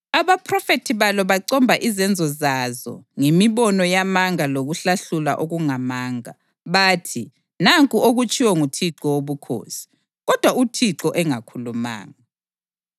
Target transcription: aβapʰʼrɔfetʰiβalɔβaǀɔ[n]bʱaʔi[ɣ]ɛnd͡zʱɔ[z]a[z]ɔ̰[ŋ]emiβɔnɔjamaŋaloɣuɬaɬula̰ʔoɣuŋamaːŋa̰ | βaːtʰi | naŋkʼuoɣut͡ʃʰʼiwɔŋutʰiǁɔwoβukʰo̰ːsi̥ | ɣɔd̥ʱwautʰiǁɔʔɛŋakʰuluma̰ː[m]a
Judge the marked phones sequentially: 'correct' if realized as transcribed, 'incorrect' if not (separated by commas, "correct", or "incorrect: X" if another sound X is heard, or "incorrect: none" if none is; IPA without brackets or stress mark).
incorrect: m, incorrect: z, correct, correct, correct, incorrect: ŋ